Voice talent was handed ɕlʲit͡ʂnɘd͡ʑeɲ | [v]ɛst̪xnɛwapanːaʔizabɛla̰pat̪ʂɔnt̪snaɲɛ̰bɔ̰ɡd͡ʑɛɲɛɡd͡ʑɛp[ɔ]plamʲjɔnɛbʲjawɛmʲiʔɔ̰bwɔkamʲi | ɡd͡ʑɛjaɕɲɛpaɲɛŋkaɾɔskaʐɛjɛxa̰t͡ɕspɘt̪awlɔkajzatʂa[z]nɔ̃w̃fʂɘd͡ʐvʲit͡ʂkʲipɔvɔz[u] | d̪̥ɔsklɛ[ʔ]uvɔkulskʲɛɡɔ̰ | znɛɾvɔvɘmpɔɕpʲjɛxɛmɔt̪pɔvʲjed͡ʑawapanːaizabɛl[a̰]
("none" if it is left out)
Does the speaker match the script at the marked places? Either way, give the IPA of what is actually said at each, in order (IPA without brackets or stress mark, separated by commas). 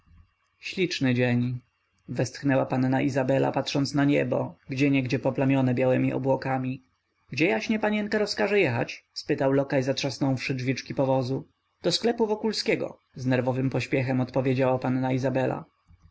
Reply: v, ɔ, s, u, p, a̰